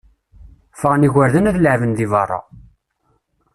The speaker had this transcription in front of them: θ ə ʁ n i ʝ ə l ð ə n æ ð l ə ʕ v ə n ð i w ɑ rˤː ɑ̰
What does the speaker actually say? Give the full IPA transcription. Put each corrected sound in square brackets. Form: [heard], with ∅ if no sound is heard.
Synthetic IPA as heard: [f] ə ʁ n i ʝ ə [ɾ] ð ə n æ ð l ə ʕ v ə n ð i [v] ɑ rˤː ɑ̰